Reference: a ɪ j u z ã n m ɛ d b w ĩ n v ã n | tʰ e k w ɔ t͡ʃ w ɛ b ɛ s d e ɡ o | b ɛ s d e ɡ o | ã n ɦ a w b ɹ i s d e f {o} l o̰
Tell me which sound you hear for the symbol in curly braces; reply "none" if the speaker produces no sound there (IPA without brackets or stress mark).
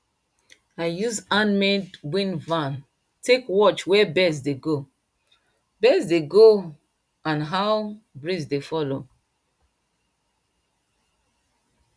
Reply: ɔ